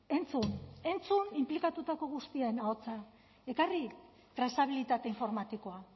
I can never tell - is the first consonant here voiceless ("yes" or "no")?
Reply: no